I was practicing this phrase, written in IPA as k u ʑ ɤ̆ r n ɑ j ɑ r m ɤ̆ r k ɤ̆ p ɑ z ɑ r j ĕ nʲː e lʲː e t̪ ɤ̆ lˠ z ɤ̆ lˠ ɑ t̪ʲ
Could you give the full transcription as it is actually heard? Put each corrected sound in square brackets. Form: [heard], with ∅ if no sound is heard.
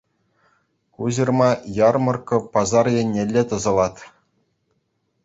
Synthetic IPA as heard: k u ʑ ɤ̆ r [m] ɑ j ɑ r m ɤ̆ r k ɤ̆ p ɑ z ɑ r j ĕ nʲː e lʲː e t̪ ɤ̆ [∅] z ɤ̆ lˠ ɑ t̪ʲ

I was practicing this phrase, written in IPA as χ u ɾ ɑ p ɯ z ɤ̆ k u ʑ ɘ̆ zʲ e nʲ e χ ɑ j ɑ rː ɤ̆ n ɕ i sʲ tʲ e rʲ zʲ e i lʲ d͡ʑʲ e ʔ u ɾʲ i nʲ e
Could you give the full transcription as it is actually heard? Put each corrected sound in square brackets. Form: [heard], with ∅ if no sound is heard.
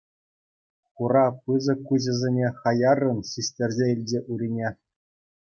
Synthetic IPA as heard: χ u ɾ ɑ p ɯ z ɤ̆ k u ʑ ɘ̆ zʲ e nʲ e χ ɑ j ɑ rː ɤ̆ n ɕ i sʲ tʲ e rʲ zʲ e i lʲ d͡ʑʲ e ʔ u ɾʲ i nʲ e

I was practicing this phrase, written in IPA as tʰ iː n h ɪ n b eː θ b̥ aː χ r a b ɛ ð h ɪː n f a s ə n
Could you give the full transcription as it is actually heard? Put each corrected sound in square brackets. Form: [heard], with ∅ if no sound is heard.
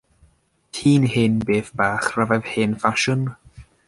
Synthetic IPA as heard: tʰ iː n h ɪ n b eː θ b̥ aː χ r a [v] ɛ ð h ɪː n f a [ʃ] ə n

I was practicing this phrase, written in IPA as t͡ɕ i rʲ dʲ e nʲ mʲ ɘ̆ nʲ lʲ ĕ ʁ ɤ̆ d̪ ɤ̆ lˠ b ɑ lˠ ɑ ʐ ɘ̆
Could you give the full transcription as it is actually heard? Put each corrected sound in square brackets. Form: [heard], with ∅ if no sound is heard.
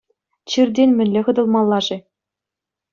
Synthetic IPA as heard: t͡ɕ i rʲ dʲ e nʲ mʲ ɘ̆ nʲ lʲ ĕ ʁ ɤ̆ d̪ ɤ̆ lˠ [m] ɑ [lˠː] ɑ ʐ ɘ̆

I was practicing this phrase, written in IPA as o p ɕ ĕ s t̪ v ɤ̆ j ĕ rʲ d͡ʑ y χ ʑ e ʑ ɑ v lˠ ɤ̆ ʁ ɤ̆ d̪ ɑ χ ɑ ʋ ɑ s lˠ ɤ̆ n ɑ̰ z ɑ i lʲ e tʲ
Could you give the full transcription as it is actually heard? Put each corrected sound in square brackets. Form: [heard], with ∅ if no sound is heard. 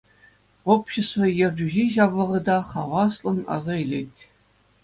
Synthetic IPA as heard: o p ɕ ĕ s t̪ v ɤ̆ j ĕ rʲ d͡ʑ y [∅] ʑ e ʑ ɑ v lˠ ɤ̆ ʁ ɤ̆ d̪ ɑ χ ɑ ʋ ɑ s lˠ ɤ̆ n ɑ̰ z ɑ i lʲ e tʲ

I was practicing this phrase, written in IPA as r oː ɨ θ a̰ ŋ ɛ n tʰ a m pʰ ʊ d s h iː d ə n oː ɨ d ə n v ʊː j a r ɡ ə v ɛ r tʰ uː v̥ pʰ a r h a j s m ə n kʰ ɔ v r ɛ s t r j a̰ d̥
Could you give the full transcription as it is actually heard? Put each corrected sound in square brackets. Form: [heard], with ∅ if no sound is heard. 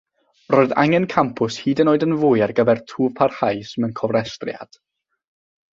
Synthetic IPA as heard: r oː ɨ [ð] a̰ ŋ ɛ n [kʰ] a m pʰ ʊ [∅] s h iː d ə n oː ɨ d ə n v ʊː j a r ɡ ə v ɛ r tʰ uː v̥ pʰ a r h a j s m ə n kʰ ɔ v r ɛ s t r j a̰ d̥

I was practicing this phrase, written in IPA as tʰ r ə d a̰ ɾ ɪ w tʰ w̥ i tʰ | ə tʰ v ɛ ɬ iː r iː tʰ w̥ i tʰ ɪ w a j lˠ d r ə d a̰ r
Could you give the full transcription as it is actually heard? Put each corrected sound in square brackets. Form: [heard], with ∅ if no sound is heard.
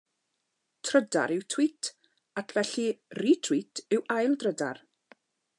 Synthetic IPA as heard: tʰ r ə d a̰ ɾ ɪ w tʰ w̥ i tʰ | [a] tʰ v ɛ ɬ [i] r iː tʰ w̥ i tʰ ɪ w a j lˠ d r ə d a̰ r

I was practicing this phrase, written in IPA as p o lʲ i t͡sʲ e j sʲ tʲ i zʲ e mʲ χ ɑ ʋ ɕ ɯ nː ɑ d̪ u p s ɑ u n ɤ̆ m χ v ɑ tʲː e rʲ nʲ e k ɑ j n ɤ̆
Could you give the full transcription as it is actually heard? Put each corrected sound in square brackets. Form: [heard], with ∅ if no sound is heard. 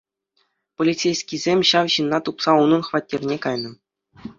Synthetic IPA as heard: p o lʲ i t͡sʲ e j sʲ [kʲ] i zʲ e mʲ [ɕ] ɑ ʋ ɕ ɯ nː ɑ [t̪] u p s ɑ u n ɤ̆ [n] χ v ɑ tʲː e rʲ nʲ e k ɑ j n ɤ̆

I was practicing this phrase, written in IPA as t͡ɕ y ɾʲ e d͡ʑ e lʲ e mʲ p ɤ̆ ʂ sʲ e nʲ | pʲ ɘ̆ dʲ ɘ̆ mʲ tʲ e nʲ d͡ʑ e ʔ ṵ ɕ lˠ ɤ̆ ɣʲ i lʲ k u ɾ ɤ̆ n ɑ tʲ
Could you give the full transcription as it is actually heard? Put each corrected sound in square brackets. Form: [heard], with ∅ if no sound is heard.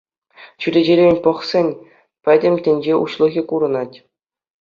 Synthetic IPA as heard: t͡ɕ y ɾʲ e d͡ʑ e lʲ e [nʲ] p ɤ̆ [χ] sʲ e nʲ | pʲ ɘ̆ dʲ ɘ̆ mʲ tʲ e nʲ d͡ʑ e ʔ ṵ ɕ lˠ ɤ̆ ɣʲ i [∅] k u ɾ ɤ̆ n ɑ tʲ

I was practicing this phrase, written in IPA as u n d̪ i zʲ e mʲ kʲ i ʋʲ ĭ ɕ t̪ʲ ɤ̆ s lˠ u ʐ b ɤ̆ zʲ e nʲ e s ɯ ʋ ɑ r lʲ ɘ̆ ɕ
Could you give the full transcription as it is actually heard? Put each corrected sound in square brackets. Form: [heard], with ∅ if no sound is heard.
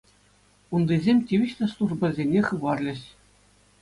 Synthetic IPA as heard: u n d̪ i zʲ e mʲ [tʲ] i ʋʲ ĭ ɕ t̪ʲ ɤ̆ s lˠ u ʐ b ɤ̆ zʲ e nʲ e [χ] ɯ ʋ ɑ r lʲ ɘ̆ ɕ

